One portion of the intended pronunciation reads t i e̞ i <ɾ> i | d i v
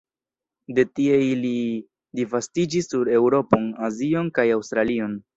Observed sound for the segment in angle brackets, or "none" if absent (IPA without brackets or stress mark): l